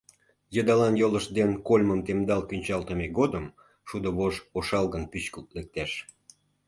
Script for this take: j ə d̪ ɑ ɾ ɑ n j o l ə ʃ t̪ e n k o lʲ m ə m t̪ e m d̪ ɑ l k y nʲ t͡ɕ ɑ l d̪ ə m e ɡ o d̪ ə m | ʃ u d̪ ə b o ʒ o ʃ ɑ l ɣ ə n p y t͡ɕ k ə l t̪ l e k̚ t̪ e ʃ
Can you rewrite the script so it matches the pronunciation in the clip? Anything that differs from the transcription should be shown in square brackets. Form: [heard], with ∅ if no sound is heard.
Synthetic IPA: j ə d̪ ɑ [l] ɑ n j o l ə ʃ [d̪] e n k o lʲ m ə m t̪ e m d̪ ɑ l k y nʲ t͡ɕ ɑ l [t̪] ə m e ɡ o d̪ ə m | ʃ u d̪ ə [β] o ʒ o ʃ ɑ l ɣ ə n p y t͡ɕ k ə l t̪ l e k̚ t̪ e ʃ